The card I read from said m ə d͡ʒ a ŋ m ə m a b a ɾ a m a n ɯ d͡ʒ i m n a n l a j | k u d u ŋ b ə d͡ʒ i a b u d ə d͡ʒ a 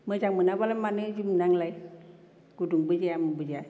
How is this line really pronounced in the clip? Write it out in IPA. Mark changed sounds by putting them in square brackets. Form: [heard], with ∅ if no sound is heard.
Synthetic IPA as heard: m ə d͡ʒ a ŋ m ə [n] a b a [l] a m a n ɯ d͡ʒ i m n a [ŋ] l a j | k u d u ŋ b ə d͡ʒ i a [m] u [b] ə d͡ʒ a